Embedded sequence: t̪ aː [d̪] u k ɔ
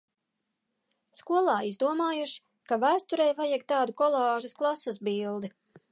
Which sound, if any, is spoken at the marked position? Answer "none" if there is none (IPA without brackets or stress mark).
d̪